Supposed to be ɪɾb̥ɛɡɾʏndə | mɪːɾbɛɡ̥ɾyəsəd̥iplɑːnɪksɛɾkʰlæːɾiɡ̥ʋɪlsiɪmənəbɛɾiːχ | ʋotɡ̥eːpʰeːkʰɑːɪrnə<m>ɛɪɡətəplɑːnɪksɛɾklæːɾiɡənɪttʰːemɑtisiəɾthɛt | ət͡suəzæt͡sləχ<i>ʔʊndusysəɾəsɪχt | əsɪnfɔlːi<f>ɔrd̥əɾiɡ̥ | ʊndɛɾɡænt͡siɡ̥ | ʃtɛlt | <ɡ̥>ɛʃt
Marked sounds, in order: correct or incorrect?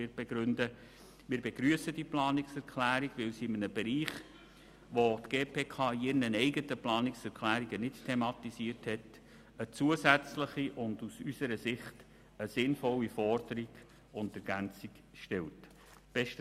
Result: incorrect: n, correct, correct, incorrect: b̥

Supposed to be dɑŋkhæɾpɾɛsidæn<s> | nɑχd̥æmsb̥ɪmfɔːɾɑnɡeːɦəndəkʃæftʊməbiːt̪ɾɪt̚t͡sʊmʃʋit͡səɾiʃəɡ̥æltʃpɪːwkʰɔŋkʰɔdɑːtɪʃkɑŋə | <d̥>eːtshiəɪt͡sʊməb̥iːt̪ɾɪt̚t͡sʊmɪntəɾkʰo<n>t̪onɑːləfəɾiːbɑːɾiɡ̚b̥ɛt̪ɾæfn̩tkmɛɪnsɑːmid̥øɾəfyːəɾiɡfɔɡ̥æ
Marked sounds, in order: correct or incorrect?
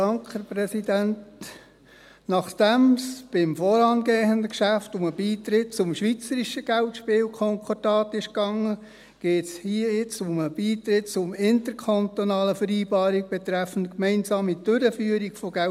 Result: incorrect: t, incorrect: ɡ̥, correct

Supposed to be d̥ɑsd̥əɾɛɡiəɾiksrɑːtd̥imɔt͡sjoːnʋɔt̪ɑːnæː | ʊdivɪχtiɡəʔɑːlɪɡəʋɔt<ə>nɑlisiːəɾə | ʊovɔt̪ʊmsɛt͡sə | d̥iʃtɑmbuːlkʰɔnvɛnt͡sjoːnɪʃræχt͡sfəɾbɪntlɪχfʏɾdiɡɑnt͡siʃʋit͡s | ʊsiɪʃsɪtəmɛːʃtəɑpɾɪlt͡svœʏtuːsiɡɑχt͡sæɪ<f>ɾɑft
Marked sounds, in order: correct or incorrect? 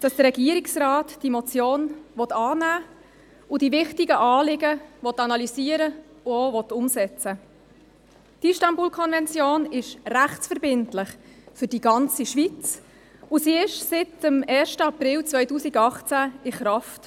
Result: incorrect: ɑ, incorrect: χ

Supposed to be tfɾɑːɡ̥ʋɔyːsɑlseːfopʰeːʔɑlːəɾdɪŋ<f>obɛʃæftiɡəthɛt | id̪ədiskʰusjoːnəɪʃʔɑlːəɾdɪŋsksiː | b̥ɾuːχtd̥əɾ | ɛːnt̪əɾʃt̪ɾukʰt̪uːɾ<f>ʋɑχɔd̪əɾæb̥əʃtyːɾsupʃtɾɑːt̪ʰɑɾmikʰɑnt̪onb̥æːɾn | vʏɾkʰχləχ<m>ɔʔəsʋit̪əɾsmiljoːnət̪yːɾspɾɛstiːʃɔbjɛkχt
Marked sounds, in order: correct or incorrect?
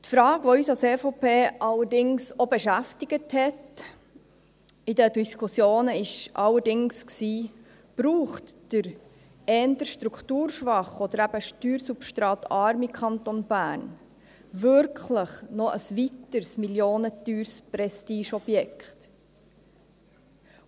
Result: incorrect: s, incorrect: ʃ, incorrect: n

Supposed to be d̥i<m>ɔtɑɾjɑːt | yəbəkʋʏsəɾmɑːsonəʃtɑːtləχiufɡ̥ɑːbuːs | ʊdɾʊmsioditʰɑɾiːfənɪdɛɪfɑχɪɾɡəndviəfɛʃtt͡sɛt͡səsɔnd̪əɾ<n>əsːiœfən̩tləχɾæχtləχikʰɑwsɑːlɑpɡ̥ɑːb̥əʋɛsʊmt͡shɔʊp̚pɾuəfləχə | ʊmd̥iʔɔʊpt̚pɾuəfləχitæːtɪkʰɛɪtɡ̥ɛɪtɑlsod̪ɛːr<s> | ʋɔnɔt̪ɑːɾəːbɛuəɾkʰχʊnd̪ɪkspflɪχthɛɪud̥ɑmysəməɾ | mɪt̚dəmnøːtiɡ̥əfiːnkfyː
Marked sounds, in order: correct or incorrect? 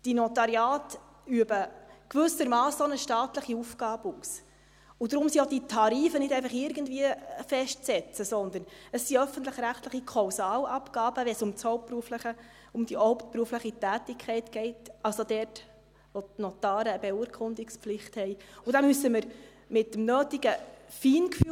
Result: incorrect: n, correct, incorrect: t

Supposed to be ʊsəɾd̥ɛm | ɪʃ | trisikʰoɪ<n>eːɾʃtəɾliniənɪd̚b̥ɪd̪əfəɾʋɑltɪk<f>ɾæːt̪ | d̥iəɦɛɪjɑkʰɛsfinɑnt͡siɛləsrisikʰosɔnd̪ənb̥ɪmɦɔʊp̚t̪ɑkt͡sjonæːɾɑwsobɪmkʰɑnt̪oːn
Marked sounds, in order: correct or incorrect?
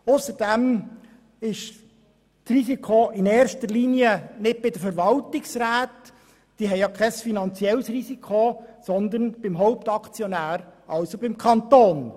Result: correct, incorrect: s

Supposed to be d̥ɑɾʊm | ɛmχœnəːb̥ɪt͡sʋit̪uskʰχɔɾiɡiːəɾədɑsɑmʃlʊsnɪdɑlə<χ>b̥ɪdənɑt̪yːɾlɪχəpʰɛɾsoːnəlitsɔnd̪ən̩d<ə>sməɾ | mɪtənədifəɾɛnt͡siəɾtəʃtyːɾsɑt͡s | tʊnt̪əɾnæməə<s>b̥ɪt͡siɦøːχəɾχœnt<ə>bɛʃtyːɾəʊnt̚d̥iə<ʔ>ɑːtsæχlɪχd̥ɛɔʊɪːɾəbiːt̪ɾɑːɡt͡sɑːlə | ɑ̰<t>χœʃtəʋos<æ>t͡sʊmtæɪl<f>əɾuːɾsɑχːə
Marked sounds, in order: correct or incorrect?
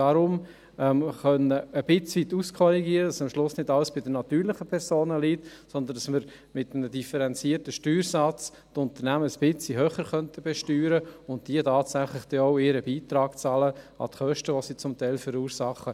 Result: incorrect: s, incorrect: ɑ, correct, correct, incorrect: t, correct, incorrect: i, correct

